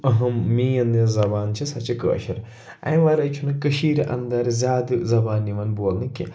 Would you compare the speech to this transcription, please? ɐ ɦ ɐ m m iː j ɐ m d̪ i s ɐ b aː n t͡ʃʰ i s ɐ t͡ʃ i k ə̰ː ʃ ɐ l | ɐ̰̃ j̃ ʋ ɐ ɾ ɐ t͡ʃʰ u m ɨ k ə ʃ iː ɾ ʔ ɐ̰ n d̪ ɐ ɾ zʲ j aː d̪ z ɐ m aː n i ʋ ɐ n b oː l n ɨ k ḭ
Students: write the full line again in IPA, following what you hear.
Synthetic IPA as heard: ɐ ɦ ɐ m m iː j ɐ n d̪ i z ɐ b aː n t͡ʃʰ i s ɐ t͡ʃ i k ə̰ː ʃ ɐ ɾ | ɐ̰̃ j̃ ʋ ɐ ɾ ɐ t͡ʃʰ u n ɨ k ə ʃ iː ɾ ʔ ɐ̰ n d̪ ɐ ɾ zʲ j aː d̪ z ɐ b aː n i ʋ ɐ n b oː l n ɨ k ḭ